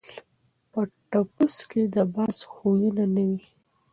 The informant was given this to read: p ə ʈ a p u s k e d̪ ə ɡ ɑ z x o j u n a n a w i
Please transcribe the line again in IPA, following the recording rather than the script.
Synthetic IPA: p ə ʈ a p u s k e d̪ ə b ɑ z x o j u n a n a w i